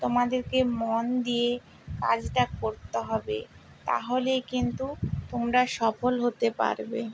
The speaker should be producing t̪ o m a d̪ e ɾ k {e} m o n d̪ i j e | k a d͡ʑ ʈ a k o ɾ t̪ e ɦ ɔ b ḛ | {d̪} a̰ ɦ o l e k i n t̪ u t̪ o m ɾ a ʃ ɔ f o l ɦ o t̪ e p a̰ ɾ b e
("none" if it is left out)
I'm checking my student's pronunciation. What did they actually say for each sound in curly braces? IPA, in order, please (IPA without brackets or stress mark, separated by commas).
e, t̪